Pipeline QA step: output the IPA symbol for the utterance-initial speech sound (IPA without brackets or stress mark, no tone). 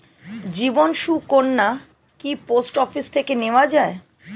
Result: d͡ʑ